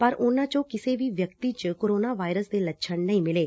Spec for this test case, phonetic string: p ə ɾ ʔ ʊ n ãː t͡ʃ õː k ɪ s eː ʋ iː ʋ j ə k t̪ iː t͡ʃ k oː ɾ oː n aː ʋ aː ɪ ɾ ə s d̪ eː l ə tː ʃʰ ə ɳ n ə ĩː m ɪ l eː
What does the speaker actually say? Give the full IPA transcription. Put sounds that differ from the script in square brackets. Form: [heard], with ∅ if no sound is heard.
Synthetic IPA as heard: p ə ɾ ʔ ʊ n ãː t͡ʃ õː k ɪ s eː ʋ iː ʋ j ə k t̪ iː t͡ʃ k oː ɾ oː n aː ʋ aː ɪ ɾ ə s d̪ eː l ə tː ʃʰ ə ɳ n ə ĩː m ɪ l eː